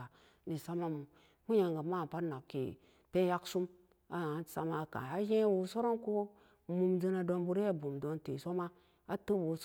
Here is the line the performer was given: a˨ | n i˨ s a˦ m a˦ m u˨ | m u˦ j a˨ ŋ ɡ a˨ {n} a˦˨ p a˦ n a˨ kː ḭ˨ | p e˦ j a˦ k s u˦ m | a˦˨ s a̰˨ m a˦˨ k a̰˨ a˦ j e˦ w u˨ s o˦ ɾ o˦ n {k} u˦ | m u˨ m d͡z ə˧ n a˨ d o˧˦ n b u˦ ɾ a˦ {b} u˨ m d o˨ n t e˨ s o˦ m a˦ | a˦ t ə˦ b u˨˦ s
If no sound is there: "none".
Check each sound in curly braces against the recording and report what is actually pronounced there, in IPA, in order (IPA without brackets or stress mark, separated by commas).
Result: m, k, b